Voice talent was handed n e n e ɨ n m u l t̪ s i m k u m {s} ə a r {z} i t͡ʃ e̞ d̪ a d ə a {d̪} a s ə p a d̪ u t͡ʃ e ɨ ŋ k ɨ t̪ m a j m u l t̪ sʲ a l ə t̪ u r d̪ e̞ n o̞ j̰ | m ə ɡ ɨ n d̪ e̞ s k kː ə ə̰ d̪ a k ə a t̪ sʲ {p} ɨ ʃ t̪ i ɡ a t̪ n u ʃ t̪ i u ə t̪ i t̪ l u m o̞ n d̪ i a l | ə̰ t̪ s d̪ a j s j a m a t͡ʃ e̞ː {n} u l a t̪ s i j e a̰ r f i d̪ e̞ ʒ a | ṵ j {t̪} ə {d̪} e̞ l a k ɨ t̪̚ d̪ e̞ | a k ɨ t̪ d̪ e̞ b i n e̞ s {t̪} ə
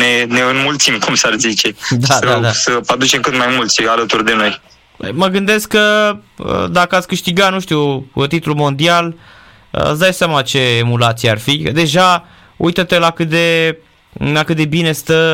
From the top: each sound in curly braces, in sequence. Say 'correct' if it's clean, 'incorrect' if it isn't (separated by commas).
correct, correct, correct, incorrect, incorrect, correct, incorrect, correct